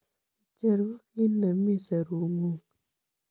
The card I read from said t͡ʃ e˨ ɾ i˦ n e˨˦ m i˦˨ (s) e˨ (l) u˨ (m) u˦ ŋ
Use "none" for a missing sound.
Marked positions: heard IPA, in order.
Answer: s, ɾ, ŋ

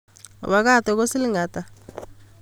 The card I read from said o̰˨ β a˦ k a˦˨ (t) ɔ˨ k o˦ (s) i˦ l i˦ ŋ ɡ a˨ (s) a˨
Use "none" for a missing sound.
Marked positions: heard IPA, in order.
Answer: t, s, t

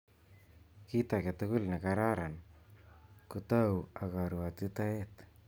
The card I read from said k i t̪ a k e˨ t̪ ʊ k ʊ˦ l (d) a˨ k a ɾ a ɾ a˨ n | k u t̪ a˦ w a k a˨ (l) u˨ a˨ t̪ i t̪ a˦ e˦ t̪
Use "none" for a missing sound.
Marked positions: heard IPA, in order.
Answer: n, ɾ

